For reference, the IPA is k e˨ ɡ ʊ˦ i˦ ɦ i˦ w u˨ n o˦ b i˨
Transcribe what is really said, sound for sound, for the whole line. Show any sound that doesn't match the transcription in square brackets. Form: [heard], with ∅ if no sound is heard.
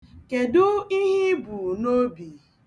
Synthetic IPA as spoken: k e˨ [d] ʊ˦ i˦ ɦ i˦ [b] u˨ n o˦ b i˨